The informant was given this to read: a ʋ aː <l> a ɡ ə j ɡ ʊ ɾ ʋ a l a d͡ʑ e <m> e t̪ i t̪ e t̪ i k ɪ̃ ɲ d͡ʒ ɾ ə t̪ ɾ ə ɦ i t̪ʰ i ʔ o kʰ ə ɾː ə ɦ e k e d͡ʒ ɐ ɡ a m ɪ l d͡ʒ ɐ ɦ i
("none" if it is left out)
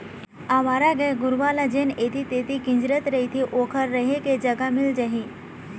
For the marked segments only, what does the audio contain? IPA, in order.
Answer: ɾ, n

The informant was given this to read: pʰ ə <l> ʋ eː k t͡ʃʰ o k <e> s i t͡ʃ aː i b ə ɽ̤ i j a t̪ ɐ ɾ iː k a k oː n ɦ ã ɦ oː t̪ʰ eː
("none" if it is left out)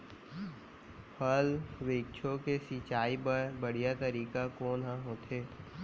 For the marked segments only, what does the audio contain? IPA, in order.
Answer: l, e

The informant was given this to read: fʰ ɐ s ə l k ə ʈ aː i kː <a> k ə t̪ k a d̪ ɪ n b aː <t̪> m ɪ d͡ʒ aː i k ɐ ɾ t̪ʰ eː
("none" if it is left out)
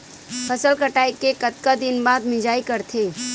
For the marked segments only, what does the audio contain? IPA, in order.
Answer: e, d̪

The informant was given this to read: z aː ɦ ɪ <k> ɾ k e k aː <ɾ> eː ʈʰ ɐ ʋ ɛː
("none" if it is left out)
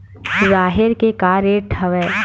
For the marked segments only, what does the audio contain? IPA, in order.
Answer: none, ɾ

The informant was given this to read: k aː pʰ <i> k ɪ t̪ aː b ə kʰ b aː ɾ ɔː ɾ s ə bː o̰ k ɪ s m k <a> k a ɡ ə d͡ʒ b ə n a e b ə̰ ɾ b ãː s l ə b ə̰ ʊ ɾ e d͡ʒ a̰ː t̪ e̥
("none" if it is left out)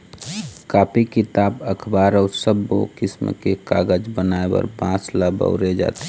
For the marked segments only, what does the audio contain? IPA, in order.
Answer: i, e

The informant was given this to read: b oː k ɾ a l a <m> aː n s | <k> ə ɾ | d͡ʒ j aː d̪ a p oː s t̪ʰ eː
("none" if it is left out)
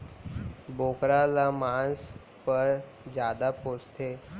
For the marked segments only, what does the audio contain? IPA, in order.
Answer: m, p

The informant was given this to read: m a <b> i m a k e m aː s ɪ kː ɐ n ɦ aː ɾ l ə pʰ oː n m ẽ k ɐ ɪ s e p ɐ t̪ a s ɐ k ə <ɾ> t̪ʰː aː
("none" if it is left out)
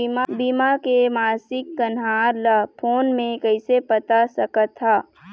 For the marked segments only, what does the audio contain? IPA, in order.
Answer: b, none

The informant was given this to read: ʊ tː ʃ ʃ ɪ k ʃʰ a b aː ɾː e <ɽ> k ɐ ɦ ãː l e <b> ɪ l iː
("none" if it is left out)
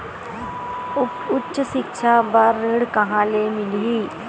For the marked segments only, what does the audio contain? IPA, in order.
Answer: ɽ, m

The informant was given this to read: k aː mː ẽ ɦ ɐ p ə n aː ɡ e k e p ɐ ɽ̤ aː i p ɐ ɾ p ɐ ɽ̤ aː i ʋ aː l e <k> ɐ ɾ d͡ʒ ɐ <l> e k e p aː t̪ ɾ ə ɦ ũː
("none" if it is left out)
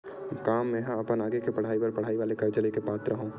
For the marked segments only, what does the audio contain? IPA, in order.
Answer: k, l

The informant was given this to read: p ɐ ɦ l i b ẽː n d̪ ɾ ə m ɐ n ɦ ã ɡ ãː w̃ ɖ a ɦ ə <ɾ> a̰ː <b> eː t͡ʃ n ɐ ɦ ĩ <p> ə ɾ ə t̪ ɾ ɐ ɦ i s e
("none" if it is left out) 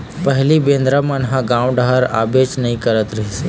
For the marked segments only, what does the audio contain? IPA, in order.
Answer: ɾ, b, k

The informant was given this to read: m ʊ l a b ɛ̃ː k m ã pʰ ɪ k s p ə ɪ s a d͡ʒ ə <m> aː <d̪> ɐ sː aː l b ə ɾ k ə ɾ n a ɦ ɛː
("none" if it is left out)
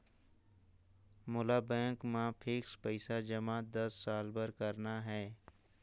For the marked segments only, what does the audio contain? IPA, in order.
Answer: m, d̪

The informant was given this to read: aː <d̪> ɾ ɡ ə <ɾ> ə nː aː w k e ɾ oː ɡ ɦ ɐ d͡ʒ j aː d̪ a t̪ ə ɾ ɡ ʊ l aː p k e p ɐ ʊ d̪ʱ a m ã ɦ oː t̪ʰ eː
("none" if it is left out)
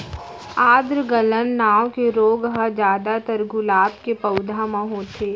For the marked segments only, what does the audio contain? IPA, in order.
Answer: d̪, l

